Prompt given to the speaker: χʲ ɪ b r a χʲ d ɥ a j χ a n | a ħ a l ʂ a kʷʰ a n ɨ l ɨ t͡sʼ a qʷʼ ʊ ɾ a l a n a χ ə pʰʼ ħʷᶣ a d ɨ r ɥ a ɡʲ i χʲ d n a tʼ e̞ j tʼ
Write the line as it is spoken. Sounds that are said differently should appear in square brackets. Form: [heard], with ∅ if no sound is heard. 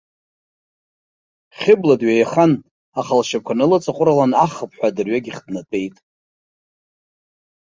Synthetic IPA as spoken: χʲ ɪ b [l] a [∅] d ɥ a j χ a n | a [χ] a l [ʃ] a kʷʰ a n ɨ l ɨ t͡sʼ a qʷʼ ʊ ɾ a l a n a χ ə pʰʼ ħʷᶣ a d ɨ r ɥ a ɡʲ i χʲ d n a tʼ e̞ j tʼ